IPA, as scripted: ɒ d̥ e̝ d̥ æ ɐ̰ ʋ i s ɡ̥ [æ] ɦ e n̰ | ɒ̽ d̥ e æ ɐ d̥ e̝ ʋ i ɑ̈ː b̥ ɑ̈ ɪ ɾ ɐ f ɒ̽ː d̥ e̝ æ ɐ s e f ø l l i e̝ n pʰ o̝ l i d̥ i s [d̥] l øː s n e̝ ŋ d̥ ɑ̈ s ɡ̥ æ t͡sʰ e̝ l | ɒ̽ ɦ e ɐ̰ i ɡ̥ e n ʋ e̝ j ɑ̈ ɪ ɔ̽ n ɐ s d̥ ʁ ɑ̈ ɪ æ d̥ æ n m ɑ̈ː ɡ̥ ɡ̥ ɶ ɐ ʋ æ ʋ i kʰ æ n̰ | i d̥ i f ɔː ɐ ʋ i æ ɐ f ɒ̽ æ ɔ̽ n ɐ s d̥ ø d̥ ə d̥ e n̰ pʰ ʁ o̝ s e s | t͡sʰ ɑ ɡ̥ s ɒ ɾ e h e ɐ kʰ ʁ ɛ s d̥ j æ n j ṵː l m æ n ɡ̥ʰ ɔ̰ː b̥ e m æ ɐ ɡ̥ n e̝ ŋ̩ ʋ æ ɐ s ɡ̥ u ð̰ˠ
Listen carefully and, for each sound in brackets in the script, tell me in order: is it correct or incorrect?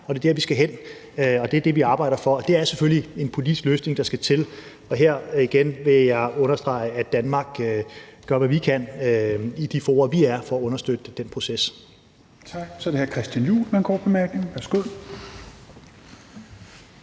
correct, incorrect: ɡ̥

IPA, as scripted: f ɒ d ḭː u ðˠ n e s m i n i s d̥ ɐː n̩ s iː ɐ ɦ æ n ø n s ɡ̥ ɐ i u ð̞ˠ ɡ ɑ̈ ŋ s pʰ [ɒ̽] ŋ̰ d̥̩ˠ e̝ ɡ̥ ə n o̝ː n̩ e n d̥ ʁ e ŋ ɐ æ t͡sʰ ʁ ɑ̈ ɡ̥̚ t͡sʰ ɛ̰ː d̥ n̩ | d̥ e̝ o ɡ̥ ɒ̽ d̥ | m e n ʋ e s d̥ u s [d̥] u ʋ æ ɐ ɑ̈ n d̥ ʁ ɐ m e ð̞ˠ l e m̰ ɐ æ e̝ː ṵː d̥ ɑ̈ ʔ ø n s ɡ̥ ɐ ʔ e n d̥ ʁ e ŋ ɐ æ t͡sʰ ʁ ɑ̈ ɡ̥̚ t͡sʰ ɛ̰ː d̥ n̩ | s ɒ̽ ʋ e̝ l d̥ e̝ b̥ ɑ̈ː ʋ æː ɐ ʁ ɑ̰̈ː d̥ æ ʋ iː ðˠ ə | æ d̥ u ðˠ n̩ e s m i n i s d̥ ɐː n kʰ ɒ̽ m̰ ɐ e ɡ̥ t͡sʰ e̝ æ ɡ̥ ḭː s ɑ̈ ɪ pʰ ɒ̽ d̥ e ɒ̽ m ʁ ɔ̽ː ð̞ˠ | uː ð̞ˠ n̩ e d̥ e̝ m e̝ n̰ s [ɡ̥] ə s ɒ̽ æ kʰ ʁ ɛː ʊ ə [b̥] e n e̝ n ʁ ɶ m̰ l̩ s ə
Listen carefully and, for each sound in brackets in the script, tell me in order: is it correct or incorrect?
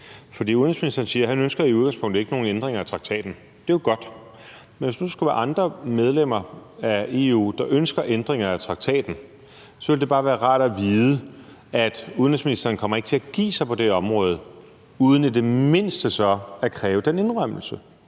incorrect: ɔ̽, incorrect: ɡ̥, incorrect: d̥, incorrect: d̥

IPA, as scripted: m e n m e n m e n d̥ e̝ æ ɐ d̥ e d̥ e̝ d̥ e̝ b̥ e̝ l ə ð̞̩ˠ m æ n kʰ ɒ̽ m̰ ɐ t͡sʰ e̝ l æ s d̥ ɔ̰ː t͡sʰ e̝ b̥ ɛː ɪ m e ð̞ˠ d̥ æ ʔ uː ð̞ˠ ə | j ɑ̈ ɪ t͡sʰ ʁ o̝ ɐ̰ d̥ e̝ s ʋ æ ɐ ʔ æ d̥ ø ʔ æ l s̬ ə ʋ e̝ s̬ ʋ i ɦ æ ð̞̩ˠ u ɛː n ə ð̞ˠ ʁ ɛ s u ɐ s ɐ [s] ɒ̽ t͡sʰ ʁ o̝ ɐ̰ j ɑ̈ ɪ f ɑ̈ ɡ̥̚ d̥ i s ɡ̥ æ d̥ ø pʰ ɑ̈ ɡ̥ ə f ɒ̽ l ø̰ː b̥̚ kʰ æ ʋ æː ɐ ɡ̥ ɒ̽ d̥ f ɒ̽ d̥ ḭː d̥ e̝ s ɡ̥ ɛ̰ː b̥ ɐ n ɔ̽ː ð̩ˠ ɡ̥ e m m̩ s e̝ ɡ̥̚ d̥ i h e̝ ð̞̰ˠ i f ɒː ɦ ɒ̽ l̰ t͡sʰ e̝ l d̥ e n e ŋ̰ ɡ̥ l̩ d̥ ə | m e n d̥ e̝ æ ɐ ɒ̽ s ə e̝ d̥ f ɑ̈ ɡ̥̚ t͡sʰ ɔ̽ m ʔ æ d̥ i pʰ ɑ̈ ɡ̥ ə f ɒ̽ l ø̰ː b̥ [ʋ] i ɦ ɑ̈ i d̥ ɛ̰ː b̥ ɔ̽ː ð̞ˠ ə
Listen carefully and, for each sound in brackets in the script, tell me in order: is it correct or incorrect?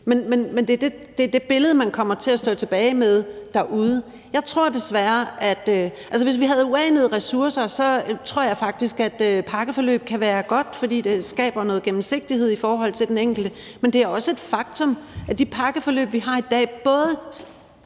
correct, correct

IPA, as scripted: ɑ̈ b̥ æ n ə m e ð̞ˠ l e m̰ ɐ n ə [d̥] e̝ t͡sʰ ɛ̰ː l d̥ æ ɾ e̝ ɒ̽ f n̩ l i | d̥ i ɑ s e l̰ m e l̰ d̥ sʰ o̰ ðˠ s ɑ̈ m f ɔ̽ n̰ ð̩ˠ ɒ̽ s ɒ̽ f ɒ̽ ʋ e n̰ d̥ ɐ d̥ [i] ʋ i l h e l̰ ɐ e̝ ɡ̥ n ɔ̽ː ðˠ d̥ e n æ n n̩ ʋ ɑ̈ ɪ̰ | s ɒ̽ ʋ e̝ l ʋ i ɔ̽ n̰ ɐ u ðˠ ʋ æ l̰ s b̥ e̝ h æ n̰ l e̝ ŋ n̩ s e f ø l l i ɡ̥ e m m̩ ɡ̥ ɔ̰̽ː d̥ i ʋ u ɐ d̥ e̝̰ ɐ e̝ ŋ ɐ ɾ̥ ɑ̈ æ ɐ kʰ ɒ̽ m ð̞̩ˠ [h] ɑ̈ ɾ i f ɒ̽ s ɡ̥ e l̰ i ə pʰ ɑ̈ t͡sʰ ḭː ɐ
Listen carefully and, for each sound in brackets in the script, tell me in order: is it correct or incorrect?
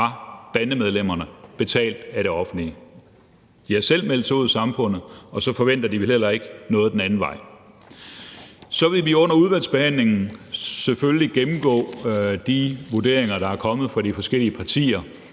incorrect: b̥, correct, incorrect: f

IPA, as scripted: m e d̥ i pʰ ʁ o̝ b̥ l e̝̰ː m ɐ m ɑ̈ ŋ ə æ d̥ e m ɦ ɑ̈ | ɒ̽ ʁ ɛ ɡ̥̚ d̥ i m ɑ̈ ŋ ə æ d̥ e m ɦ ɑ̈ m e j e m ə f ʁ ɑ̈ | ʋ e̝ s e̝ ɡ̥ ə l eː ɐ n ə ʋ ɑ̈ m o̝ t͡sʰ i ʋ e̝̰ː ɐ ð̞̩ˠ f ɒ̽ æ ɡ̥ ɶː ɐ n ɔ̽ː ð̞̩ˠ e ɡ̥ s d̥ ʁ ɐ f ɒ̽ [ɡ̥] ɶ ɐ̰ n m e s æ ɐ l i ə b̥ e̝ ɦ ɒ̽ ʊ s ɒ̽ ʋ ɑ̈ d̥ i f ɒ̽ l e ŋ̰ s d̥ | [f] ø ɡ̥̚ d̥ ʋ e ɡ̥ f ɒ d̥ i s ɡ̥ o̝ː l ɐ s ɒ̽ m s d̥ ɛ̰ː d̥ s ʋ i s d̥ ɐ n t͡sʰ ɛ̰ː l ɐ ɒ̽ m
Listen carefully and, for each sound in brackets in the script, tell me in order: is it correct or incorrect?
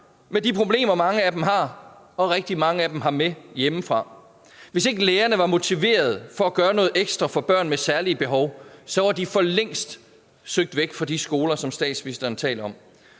incorrect: b̥, incorrect: s

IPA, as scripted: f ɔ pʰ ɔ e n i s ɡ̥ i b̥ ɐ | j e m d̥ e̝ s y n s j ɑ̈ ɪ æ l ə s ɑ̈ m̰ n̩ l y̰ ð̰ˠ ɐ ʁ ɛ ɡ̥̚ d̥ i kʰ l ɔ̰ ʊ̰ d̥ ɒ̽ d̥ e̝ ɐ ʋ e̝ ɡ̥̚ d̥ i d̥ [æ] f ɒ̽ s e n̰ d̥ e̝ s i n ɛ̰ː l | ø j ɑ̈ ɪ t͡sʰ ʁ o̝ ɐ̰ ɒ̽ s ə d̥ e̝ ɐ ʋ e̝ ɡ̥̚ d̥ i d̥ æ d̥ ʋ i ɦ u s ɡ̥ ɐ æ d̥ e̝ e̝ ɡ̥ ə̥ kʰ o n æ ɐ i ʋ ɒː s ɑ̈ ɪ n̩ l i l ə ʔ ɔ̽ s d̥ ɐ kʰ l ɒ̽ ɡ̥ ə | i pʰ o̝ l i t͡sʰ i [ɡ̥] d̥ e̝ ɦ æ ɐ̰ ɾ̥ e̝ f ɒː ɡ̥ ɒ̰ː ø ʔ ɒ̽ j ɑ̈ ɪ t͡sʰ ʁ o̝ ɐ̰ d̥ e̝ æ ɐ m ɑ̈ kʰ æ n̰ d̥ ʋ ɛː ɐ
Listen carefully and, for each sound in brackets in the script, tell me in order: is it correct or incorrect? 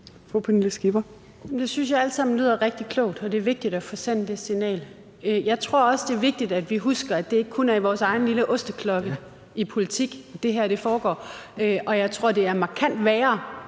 correct, correct

